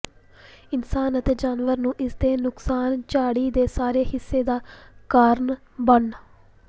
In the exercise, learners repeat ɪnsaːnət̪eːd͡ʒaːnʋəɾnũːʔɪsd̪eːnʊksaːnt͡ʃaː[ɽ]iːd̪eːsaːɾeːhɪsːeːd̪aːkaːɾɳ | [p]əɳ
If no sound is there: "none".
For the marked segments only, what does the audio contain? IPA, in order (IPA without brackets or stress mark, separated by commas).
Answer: ɽ, b